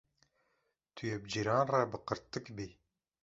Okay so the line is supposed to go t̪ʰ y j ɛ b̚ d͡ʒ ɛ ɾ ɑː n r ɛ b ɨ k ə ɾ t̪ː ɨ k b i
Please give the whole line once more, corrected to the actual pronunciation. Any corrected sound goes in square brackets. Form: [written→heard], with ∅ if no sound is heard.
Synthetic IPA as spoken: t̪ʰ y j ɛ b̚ d͡ʒ [ɛ→i] ɾ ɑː n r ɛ b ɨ [k→q] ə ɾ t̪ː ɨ k b i